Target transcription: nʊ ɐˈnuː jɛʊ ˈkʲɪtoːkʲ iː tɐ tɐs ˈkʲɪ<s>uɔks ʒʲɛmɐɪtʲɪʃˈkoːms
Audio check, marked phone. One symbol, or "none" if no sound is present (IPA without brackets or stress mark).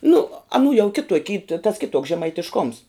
t